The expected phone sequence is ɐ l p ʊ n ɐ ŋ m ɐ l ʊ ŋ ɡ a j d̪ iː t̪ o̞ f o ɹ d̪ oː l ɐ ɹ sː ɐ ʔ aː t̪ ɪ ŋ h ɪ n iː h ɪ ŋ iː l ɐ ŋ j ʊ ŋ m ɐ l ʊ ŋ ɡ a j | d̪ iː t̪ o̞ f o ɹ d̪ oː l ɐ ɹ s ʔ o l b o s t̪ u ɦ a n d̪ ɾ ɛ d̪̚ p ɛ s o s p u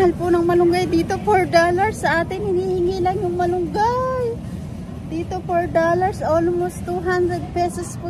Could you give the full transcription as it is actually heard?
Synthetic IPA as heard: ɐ l p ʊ n ɐ ŋ m ɐ l ʊ ŋ ɡ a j d̪ iː t̪ o̞ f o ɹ d̪ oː l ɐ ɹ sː ɐ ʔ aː t̪ ɪ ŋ h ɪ n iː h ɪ ŋ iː l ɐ ŋ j ʊ ŋ m ɐ l ʊ ŋ ɡ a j | d̪ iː t̪ o̞ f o ɹ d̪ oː l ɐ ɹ s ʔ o l m o s t̪ u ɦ a n d̪ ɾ ɛ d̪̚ p ɛ s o s p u